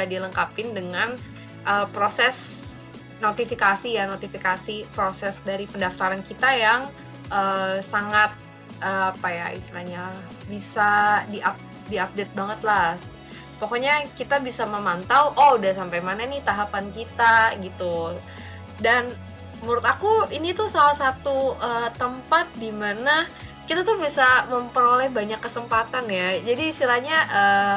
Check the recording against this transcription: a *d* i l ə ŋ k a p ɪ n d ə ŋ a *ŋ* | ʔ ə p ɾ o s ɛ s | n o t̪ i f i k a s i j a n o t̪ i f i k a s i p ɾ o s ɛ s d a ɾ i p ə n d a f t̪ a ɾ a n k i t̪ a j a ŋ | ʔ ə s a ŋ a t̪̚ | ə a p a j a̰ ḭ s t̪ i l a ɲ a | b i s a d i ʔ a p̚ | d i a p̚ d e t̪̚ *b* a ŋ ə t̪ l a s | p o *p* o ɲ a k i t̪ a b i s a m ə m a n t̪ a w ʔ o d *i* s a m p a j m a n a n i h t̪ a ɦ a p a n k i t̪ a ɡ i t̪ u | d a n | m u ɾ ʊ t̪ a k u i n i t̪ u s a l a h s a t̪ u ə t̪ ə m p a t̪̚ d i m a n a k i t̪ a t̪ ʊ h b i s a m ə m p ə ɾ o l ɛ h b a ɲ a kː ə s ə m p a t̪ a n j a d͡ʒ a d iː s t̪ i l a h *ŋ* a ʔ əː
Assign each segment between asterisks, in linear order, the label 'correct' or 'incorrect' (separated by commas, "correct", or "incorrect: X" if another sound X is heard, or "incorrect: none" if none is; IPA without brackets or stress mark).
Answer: correct, incorrect: n, correct, incorrect: k, incorrect: a, incorrect: ɲ